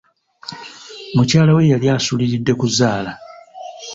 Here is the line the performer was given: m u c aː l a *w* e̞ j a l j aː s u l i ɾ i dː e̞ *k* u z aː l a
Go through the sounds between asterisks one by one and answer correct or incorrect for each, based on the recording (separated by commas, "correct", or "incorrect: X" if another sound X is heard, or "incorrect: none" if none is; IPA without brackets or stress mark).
correct, correct